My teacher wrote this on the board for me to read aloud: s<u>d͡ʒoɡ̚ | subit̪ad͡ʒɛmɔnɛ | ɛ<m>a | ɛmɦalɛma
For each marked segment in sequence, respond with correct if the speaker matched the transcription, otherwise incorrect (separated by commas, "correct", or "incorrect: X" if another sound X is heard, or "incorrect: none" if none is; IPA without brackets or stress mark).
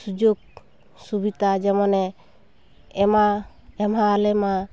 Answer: correct, correct